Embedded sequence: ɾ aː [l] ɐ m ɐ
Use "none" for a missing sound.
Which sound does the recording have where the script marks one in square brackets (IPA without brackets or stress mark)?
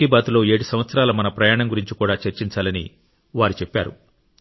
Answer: l